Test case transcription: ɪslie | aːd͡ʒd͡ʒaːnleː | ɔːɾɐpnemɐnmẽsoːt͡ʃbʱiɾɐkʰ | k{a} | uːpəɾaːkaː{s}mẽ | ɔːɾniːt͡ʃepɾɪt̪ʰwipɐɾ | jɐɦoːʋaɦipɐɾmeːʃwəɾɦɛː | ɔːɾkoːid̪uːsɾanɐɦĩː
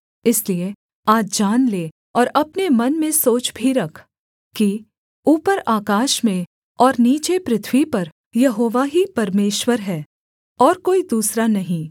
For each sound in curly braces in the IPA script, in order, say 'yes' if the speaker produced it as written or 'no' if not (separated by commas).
no, no